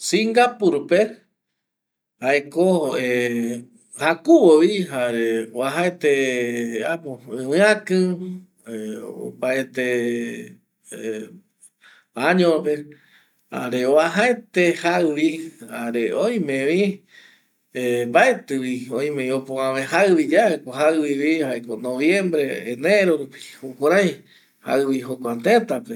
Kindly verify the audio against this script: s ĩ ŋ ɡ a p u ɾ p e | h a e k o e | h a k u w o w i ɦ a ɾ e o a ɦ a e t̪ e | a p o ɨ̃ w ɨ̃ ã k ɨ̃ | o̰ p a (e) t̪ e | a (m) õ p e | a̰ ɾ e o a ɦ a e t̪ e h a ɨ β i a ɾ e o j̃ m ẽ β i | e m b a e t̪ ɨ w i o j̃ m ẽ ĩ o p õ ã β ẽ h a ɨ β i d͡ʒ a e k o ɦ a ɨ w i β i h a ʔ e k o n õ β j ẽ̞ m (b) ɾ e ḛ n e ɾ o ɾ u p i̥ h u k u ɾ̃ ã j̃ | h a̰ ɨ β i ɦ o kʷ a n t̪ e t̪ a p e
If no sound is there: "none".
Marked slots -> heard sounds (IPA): e, ɲ, b

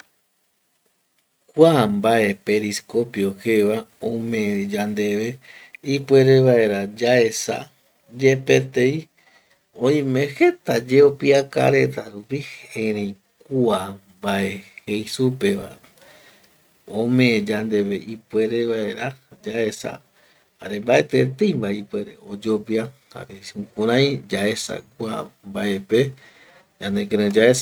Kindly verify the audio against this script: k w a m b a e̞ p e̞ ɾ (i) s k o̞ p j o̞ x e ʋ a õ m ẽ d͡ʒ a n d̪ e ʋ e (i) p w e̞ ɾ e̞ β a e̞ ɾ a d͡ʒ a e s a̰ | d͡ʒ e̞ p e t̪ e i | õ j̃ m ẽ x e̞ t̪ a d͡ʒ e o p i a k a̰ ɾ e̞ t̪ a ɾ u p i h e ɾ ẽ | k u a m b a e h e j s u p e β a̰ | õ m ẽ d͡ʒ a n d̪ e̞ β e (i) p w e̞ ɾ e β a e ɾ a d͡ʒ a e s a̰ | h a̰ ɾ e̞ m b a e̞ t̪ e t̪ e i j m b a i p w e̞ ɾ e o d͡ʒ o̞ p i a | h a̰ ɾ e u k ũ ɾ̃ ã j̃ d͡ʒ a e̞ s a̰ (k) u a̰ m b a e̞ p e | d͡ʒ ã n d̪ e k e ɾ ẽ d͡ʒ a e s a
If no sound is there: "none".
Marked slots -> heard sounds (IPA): i, i, i, k

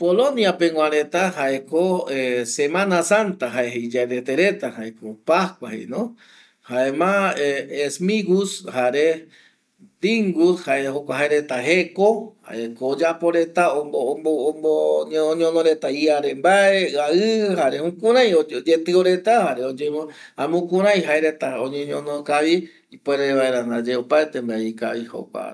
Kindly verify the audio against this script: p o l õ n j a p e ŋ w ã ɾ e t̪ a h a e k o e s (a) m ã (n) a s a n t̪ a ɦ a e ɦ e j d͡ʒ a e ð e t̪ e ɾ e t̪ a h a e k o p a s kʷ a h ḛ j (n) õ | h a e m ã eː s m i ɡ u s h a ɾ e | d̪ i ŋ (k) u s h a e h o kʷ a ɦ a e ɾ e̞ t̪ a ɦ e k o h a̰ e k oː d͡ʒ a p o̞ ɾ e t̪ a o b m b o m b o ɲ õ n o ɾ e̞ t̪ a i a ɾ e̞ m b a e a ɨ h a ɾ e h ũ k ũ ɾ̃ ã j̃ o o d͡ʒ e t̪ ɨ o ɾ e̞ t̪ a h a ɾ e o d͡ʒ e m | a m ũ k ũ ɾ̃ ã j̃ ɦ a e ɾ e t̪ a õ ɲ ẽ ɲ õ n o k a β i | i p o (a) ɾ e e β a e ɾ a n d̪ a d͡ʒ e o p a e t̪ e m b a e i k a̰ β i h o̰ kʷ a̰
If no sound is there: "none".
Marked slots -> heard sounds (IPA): e, n, n, ɡ, e

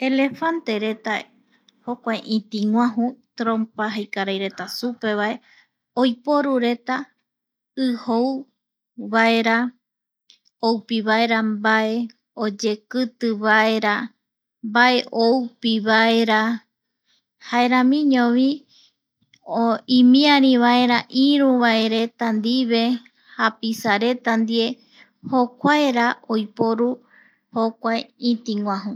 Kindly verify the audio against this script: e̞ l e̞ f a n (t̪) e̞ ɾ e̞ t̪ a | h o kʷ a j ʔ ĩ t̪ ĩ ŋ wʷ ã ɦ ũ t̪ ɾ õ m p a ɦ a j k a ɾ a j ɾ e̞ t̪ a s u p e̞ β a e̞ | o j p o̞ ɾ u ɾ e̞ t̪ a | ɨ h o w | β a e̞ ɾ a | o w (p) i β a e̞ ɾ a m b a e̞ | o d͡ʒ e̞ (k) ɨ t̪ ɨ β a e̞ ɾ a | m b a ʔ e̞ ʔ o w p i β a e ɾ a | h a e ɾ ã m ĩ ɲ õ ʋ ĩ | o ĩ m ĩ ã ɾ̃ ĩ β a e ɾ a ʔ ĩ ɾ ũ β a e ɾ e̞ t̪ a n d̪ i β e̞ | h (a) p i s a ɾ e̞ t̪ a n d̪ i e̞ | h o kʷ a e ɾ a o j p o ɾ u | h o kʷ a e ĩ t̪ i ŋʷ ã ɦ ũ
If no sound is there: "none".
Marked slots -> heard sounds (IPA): t̪, p, k, a

